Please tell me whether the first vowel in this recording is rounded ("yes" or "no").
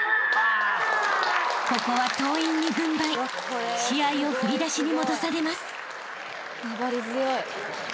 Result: yes